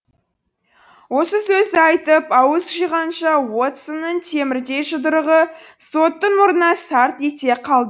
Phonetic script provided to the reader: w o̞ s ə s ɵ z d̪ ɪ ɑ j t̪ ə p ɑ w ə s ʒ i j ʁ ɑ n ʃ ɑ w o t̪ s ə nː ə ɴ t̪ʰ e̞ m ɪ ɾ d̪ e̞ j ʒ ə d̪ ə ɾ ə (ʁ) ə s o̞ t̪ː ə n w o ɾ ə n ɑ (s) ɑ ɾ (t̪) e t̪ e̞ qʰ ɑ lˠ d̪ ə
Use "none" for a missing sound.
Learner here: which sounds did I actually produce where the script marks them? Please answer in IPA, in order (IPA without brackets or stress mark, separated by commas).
ʁ, s, t̪